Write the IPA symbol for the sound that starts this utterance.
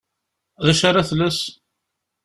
ð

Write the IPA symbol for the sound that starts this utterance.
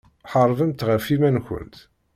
ħ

